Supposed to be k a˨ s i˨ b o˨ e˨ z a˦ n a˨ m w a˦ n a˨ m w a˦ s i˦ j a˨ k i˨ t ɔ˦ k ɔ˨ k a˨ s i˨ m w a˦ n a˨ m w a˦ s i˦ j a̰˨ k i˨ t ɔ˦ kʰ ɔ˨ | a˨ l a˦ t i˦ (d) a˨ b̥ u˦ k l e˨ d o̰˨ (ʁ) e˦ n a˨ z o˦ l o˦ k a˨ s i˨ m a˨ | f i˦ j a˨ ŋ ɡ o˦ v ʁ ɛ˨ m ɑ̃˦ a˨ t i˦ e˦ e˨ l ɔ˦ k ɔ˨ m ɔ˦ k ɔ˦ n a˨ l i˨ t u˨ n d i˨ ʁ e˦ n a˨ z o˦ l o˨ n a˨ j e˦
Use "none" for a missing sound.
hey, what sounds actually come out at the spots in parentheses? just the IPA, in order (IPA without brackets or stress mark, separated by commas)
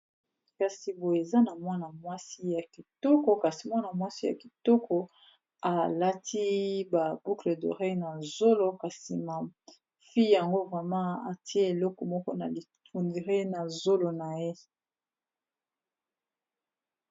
b, ʁ